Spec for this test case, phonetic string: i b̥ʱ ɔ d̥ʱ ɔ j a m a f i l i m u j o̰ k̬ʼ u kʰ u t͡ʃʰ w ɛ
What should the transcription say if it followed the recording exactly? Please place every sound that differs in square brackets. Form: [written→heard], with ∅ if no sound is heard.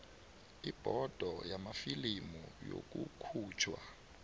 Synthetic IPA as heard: i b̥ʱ ɔ d̥ʱ ɔ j a m a f i l i m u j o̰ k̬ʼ u kʰ [u→uː] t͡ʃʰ w [ɛ→a]